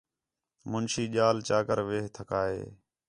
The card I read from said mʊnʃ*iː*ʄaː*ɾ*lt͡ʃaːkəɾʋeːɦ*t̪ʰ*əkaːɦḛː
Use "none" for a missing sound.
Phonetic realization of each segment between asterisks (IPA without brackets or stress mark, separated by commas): iː, none, t̪ʰ